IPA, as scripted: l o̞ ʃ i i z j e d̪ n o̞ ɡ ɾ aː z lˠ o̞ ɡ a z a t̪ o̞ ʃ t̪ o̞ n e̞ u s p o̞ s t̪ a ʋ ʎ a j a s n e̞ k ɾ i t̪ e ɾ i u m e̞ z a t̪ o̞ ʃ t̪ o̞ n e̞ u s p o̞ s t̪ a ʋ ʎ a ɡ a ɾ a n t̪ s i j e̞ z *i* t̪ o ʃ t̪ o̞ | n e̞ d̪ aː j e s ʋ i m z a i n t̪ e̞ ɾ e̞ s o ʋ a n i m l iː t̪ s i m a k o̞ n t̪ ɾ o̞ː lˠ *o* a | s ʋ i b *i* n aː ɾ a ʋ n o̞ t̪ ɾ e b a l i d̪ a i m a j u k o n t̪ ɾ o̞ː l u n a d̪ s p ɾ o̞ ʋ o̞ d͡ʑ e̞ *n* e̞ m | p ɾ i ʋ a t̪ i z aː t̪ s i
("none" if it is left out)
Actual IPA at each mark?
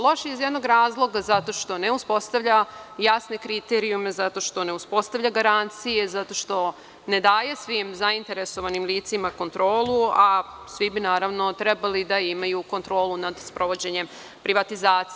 a, u, i, ɲ

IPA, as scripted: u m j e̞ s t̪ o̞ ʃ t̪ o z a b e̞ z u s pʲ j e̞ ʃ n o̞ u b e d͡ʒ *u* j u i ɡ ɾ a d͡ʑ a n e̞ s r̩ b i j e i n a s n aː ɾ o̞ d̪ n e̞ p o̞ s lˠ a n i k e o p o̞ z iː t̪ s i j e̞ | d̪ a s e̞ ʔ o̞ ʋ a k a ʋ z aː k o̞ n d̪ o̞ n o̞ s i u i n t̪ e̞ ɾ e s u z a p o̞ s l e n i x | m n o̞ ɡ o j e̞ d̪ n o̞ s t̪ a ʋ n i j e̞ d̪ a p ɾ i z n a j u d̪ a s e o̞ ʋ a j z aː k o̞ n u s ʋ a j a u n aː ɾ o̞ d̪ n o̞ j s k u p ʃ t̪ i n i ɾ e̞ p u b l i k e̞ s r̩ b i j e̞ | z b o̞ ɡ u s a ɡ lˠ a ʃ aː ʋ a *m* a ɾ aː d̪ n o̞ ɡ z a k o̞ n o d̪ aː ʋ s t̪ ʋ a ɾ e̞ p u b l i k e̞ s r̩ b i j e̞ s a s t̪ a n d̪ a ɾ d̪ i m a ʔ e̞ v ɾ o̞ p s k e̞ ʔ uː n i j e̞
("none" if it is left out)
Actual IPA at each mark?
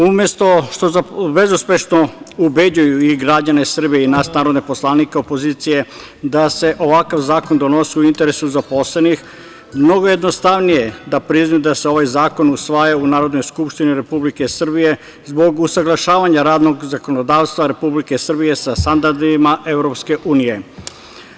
u, ɲ

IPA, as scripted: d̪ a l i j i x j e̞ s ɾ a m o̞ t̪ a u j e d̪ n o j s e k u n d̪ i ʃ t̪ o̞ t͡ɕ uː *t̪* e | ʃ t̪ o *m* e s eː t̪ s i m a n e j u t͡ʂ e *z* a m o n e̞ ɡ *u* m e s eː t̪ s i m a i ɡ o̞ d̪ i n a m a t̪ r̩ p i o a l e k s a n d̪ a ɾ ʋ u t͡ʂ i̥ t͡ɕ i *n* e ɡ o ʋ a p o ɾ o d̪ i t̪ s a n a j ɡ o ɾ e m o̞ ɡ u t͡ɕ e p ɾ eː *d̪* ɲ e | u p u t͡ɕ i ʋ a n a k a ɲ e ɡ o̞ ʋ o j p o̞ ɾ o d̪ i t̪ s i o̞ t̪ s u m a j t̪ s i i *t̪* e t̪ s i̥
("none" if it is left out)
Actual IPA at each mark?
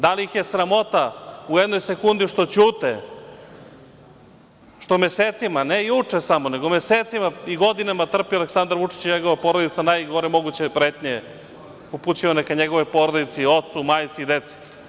t̪, m, s, o, ɲ, t̪, d̪

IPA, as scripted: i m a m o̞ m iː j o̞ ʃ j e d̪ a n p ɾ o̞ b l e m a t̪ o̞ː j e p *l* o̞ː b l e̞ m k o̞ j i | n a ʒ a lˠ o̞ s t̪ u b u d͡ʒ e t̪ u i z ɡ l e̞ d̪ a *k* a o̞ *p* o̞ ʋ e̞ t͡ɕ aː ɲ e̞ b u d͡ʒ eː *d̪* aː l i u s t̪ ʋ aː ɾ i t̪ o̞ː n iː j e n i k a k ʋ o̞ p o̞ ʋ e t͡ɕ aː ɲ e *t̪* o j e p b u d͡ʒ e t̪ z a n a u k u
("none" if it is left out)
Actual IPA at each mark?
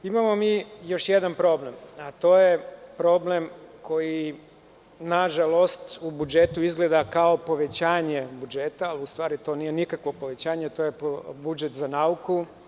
ɾ, k, p, t̪, t̪

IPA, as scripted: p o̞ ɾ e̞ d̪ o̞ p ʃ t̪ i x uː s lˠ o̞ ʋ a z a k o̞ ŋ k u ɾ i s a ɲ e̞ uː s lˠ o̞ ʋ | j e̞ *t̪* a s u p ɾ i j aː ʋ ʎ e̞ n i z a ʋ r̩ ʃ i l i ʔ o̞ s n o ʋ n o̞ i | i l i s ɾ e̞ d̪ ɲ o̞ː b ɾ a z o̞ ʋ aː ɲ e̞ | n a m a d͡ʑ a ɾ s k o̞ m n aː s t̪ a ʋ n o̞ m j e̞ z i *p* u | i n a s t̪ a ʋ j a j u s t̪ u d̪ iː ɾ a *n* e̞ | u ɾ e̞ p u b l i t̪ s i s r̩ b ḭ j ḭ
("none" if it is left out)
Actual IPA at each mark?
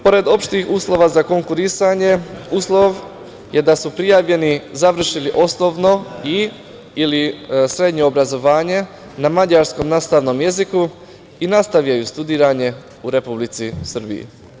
d̪, k, ɲ

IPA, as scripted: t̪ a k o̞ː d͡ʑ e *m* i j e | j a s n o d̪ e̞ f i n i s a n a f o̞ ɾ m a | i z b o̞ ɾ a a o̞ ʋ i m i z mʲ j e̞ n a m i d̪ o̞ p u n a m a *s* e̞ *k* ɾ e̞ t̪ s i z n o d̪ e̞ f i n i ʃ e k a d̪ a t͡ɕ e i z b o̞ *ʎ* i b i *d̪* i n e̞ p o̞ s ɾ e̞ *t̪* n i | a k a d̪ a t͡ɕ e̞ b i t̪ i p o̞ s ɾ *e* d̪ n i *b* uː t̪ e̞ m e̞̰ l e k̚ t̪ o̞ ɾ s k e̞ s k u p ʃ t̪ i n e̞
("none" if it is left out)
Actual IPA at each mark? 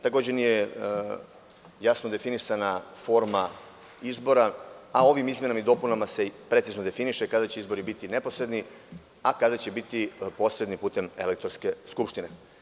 n, s, p, ɾ, t̪, d̪, e, p

